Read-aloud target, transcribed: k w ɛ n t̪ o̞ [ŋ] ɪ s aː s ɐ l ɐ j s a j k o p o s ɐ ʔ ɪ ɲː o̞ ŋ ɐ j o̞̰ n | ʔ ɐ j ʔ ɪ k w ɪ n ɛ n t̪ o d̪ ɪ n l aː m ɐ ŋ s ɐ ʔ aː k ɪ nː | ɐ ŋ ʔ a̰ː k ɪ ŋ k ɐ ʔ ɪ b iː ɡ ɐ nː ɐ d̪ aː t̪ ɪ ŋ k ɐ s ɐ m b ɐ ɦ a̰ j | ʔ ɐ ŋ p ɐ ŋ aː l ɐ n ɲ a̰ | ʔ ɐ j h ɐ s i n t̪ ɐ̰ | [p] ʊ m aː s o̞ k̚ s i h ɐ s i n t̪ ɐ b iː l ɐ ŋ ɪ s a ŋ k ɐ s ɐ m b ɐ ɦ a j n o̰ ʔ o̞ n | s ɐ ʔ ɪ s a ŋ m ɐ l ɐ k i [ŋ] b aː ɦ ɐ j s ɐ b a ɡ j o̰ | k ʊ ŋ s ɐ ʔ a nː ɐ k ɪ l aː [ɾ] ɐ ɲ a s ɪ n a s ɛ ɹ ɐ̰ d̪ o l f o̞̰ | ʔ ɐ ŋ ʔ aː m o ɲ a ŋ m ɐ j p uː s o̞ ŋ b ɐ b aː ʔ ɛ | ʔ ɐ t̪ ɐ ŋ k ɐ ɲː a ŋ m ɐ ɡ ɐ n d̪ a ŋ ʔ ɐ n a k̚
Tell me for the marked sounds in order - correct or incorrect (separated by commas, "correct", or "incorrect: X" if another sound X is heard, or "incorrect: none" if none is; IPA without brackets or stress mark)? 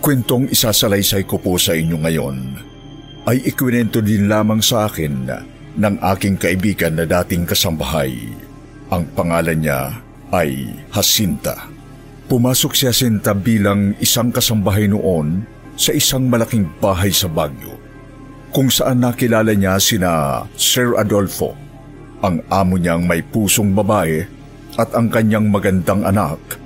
correct, correct, correct, incorrect: l